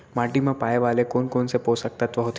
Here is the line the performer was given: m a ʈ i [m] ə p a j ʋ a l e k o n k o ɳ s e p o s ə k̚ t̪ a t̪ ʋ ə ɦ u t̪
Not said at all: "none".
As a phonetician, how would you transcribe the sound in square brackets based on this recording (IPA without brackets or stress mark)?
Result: m